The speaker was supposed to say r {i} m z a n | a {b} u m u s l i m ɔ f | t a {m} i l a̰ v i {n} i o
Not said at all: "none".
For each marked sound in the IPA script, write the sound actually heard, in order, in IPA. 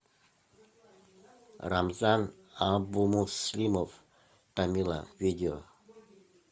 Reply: a, b, m, d

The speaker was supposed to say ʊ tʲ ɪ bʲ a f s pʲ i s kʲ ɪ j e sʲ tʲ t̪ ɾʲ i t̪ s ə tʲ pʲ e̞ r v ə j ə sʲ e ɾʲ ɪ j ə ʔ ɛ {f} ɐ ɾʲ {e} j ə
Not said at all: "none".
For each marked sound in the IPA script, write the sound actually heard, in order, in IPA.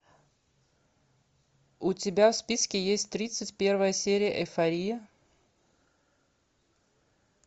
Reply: f, i

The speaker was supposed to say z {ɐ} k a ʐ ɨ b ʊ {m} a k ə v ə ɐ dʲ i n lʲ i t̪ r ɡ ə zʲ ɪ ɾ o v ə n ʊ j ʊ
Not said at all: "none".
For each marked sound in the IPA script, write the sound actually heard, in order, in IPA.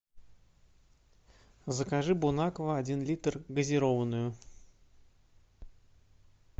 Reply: ə, n

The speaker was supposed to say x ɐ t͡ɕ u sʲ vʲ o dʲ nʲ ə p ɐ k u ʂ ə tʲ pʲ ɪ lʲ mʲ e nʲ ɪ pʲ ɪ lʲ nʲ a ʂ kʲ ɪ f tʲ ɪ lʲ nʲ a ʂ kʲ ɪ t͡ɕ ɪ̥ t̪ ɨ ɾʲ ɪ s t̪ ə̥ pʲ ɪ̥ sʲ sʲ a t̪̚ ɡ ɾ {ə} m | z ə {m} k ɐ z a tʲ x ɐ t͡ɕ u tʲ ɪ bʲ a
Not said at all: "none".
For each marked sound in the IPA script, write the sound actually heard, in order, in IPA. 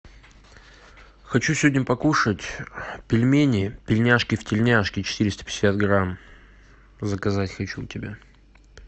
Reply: a, none

